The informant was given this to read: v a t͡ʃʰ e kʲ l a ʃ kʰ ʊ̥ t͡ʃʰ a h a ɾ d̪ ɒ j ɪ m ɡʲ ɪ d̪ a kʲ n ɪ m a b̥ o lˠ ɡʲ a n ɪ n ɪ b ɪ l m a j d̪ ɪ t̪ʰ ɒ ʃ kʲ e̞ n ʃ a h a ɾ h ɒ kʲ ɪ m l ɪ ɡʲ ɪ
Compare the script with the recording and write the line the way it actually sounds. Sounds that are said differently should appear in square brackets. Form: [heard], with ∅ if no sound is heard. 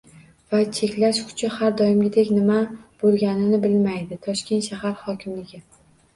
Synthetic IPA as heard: v a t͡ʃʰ e kʲ l a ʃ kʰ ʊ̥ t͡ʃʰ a h a ɾ d̪ ɒ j ɪ m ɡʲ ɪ d̪ [e] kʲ n ɪ m a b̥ o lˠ ɡʲ a n ɪ n ɪ b ɪ l m a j d̪ ɪ t̪ʰ ɒ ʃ kʲ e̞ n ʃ a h a ɾ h ɒ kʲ ɪ m l ɪ ɡʲ ɪ